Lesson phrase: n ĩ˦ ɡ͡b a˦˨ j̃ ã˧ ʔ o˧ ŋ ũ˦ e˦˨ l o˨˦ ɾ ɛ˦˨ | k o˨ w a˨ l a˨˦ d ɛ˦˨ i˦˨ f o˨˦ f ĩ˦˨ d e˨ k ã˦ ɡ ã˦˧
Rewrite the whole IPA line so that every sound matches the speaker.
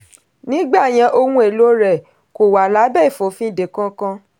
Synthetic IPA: n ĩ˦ ɡ͡b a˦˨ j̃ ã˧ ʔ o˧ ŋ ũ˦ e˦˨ l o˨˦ ɾ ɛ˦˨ | k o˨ w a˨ l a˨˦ b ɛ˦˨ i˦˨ f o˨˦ f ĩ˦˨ d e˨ k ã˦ k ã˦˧

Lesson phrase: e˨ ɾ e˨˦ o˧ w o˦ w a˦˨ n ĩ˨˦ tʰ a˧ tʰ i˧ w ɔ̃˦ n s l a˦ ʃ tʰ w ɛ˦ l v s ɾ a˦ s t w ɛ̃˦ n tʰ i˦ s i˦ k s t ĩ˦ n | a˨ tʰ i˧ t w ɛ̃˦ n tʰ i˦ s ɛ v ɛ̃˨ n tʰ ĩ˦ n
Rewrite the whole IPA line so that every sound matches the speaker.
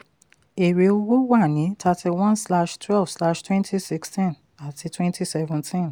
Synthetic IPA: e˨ ɾ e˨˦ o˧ w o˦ w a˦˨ n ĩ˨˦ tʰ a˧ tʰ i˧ w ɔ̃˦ n s l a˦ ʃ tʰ w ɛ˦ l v s l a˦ ʃ t w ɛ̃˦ n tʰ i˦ s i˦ k s t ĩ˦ n | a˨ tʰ i˧ t w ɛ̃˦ n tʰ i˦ s ɛ v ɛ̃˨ n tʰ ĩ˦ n

